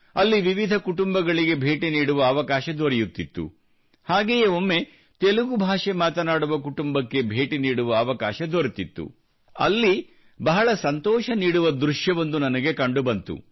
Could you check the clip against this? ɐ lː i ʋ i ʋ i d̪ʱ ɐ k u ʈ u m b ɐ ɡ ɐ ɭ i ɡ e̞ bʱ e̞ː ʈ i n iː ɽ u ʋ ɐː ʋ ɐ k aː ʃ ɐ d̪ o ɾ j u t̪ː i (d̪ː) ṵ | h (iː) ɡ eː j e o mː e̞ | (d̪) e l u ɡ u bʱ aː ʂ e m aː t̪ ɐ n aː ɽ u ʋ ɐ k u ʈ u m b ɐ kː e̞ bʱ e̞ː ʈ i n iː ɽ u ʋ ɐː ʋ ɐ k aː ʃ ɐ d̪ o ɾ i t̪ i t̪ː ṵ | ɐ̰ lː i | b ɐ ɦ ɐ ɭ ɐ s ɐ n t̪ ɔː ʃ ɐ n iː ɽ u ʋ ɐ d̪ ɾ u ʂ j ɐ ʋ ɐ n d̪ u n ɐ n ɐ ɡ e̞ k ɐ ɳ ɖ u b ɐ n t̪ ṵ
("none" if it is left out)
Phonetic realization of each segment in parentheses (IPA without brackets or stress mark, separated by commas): t̪ː, aː, t̪